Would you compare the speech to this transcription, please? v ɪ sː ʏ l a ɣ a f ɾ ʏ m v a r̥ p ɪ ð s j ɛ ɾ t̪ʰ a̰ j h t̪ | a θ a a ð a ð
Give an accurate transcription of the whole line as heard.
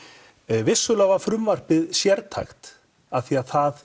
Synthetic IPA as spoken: v ɪ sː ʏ l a v a f ɾ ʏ m v a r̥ p ɪ ð s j ɛ ɾ t̪ʰ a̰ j x t̪ | a θ i a θ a ð